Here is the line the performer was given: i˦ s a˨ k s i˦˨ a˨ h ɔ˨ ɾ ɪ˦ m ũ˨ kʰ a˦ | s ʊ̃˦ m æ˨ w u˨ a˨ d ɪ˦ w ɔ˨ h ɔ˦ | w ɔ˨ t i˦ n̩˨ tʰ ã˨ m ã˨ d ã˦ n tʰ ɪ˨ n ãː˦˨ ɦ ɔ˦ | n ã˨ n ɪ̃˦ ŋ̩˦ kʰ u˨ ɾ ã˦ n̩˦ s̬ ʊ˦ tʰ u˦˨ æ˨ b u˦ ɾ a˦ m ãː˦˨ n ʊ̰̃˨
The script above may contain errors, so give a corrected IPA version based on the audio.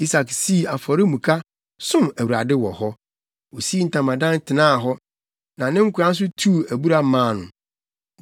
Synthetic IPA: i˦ s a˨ k s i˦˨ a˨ f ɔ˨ ɾ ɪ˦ m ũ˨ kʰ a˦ | s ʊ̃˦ m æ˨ w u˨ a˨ d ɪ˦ w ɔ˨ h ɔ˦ | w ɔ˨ s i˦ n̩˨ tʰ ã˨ m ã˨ d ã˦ n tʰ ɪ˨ n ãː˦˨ ɦ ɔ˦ | n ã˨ n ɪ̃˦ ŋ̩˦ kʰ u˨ ɾ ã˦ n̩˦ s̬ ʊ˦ tʰ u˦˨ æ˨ b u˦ ɾ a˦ m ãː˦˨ n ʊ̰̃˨